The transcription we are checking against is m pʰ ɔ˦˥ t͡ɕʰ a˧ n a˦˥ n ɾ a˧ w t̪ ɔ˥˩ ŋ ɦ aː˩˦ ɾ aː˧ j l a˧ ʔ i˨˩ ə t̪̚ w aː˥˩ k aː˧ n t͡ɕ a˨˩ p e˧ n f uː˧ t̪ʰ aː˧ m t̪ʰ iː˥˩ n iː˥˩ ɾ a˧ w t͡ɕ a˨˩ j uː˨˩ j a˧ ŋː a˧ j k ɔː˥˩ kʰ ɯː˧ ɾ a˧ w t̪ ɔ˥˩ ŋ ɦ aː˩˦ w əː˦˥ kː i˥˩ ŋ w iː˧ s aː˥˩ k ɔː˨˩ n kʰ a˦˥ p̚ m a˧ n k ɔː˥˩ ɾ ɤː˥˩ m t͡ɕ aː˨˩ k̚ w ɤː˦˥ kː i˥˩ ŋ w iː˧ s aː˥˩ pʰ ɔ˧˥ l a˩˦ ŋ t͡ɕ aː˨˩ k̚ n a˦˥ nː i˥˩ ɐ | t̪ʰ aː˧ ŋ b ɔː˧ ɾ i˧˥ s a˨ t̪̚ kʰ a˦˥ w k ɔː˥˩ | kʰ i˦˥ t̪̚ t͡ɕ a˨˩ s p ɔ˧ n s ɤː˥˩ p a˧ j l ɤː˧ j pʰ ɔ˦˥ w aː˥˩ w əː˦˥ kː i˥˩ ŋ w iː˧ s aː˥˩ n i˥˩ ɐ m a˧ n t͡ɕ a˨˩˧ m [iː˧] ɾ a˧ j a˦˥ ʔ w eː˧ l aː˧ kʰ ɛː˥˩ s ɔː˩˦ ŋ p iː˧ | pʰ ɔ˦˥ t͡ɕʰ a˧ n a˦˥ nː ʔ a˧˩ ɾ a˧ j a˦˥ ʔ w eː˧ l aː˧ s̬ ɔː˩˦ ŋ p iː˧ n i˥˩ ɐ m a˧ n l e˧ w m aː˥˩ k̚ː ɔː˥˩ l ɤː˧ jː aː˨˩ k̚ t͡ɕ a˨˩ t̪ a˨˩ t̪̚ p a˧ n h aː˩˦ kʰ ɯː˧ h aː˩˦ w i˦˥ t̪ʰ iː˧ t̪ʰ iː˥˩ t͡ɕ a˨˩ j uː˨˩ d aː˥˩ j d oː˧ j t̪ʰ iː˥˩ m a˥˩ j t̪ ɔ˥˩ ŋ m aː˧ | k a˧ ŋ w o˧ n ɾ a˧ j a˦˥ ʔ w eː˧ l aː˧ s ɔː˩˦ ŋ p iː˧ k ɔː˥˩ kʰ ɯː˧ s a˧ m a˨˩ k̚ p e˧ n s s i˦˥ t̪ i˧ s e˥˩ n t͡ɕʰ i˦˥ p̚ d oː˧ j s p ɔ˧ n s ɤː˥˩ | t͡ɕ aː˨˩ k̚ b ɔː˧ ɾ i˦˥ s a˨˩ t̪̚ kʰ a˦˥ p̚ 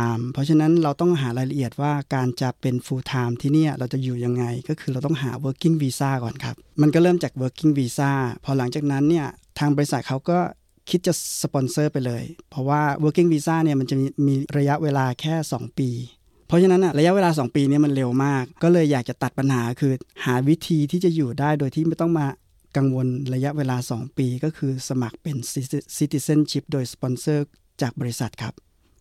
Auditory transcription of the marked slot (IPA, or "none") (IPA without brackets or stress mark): iː˧